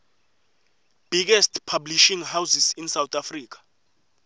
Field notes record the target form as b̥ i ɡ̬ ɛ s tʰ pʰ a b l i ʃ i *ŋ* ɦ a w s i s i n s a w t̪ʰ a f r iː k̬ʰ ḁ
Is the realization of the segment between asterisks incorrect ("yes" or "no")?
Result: no